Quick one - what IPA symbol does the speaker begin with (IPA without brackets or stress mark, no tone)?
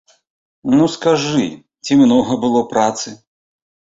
n